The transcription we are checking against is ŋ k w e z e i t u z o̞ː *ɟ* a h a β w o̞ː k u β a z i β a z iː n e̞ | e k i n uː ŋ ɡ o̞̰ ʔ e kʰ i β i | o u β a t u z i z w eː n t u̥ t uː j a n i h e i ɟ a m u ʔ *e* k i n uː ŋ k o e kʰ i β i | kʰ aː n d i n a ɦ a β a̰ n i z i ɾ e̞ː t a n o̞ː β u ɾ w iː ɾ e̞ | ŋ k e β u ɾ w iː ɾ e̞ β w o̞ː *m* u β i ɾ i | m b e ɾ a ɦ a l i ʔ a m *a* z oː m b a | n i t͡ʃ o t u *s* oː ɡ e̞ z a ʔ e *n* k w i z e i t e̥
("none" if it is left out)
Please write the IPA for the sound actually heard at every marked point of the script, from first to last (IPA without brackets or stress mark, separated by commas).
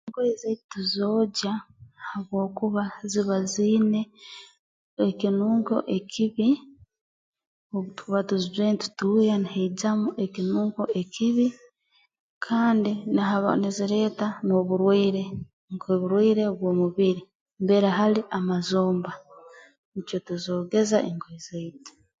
ɟ, e, m, a, z, ŋ